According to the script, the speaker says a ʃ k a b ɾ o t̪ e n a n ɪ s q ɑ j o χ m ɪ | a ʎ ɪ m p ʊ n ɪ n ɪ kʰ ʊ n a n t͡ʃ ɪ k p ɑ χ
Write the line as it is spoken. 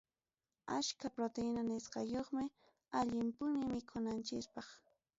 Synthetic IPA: a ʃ k a p ɾ o t̪ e n a n ɪ s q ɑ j o χ m ɪ | a ʎ ɪ m p ʊ n ɪ m ɪ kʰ ʊ n a n t͡ʃ ɪ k p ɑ χ